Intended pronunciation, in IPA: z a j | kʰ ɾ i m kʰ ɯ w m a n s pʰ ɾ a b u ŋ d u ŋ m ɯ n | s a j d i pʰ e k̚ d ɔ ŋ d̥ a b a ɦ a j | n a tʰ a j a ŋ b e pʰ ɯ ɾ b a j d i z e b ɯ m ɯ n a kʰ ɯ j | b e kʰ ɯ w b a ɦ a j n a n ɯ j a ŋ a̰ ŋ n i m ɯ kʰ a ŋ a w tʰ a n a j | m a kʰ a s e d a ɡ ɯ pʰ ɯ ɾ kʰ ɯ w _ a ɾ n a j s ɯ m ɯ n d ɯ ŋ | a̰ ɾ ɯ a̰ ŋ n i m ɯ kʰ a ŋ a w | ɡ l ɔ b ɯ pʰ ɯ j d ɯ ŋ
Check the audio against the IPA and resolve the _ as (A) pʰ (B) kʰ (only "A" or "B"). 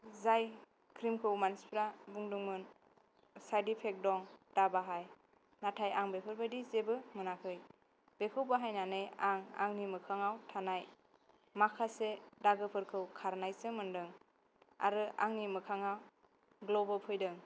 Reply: B